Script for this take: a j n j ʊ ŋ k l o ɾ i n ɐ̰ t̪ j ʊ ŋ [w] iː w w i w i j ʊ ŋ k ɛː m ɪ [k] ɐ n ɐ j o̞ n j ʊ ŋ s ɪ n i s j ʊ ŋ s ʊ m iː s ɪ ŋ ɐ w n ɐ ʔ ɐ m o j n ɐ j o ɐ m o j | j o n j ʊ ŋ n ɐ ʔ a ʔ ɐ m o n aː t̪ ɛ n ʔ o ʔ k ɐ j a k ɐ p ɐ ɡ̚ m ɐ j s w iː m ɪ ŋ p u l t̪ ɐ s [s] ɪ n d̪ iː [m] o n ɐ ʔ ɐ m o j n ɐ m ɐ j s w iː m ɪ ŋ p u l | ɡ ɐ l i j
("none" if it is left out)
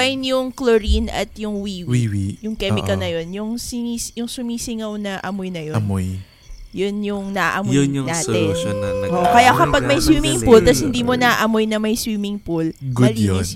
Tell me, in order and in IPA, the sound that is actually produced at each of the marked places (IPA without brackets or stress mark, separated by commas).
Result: w, k, h, m